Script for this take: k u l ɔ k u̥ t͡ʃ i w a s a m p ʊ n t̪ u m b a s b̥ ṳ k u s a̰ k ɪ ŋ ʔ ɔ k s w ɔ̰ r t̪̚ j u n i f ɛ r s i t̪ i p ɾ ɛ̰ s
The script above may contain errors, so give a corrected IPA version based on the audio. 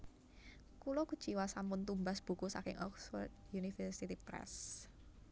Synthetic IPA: k u l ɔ k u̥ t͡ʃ i w a s a m p ʊ n t̪ u m b a s b̥ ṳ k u s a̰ k ɪ ŋ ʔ ɔ k s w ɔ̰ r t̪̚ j u n i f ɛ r s i t̪ i p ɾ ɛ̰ s